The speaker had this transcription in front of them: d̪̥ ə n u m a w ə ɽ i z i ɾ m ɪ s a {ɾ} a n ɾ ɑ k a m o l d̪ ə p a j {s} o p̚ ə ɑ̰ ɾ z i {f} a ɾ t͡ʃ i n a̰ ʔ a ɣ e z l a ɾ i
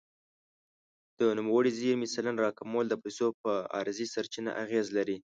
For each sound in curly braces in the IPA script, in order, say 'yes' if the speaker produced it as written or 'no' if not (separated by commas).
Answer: no, yes, no